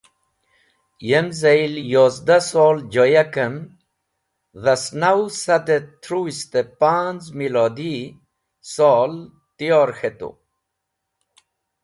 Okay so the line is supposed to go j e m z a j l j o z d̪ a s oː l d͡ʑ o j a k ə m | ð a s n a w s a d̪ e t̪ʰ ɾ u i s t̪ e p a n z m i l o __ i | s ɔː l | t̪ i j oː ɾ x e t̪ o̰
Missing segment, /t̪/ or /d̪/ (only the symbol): d̪